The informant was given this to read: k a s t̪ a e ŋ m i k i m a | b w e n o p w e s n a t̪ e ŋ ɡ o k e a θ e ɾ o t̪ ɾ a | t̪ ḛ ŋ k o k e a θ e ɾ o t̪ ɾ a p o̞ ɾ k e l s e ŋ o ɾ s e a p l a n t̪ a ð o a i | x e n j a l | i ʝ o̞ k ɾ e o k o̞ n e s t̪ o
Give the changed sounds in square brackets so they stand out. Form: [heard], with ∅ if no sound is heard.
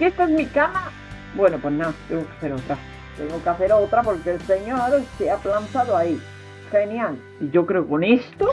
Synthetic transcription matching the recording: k [e] s t̪ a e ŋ m i k [a] m a | b w e n o p w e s n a t̪ e ŋ ɡ o k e a θ e ɾ o t̪ ɾ a | t̪ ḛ ŋ [ɡ] o k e a θ e ɾ o t̪ ɾ a p o̞ ɾ k e l s e [ɲ] o ɾ s e a p l a n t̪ a ð o a i | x e n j a l | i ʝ o̞ k ɾ e o k o̞ n e s t̪ o